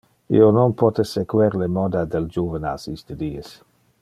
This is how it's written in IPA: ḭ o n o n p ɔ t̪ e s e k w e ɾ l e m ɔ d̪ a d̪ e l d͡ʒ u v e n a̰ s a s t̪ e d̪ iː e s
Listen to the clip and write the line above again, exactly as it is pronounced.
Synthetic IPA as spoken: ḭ o n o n p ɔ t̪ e s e k w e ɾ l e m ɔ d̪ a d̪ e l d͡ʒ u v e n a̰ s i s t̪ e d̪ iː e s